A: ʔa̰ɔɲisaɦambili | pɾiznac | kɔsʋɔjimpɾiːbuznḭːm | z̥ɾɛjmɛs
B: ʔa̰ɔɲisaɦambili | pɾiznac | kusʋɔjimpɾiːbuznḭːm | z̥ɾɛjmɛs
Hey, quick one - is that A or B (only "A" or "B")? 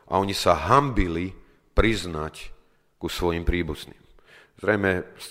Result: B